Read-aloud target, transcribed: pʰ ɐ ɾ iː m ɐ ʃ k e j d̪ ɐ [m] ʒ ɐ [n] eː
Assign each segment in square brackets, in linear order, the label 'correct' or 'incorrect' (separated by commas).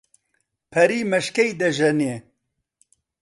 incorrect, correct